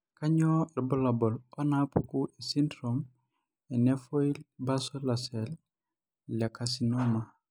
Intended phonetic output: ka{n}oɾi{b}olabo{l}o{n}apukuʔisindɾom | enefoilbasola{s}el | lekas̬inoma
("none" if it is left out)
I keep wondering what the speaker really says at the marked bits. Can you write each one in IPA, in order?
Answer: ɲ, b, l, n, s

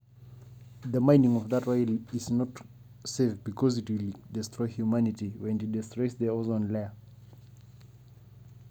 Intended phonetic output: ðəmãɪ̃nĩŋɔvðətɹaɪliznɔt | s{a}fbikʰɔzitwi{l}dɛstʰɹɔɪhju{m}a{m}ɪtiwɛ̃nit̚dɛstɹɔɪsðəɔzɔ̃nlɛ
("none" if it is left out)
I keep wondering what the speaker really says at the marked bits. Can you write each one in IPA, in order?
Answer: e, l, m, n

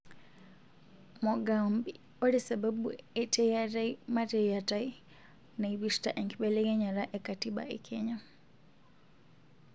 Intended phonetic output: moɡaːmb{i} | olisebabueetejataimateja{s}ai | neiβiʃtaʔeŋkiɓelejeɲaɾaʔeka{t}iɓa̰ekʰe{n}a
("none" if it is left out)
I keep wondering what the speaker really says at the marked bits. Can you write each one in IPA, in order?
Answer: i, t, t, ɲ

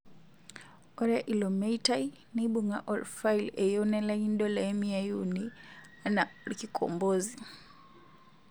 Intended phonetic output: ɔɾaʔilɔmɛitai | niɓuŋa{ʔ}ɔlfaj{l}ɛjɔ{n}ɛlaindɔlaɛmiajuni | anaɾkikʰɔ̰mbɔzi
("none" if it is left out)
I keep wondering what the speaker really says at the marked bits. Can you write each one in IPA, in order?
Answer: ʔ, l, n

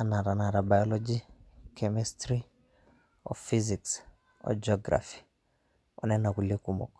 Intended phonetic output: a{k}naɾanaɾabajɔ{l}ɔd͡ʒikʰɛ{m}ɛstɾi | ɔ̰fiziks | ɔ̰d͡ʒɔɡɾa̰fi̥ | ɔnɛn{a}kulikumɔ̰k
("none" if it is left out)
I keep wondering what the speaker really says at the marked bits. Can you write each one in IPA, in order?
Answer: none, l, m, a

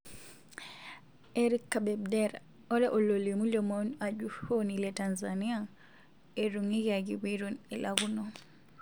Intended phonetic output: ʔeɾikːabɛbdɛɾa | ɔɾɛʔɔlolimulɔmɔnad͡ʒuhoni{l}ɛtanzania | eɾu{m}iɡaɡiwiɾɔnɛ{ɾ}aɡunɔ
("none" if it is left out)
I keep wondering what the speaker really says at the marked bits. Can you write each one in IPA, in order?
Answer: l, ŋ, l

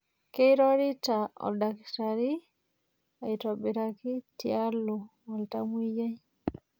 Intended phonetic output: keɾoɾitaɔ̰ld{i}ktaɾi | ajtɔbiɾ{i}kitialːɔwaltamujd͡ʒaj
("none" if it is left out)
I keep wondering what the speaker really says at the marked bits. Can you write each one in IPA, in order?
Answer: a, a

